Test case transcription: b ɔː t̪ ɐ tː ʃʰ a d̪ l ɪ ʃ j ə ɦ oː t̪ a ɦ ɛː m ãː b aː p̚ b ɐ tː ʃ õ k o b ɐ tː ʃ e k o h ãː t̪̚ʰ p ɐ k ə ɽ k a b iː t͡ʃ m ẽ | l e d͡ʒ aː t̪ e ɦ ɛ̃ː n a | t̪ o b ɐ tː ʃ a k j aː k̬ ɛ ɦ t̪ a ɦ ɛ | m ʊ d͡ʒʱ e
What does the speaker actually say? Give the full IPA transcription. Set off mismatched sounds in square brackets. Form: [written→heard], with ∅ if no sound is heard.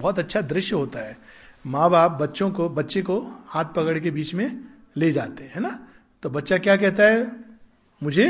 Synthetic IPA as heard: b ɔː t̪ ɐ tː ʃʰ a d̪ [l→ɾ] ɪ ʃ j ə ɦ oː t̪ a ɦ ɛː m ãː b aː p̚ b ɐ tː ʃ õ k o b ɐ tː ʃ e k o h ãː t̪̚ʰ p ɐ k ə ɽ k [a→e] b iː t͡ʃ m ẽ | l e d͡ʒ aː t̪ e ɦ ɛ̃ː n a | t̪ o b ɐ tː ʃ a k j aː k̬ ɛ ɦ t̪ a ɦ ɛ | m ʊ d͡ʒʱ e